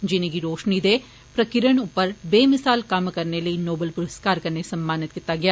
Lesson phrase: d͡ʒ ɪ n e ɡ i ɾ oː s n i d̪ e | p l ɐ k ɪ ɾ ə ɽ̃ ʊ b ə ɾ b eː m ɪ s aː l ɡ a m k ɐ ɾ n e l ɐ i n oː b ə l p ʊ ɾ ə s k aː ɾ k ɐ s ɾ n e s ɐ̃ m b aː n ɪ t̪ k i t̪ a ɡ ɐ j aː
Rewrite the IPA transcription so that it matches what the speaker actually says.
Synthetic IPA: d͡ʒ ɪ n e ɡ i ɾ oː ʃ n i d̪ e | p ɾ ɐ k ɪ ɾ ə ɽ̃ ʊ p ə ɾ b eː m ɪ s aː l k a m k ɐ ɾ n e l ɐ i n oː b ə l p ʊ ɾ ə s k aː ɾ k ɐ ɾ n e s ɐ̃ m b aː n ɪ t̪ k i t̪ a ɡ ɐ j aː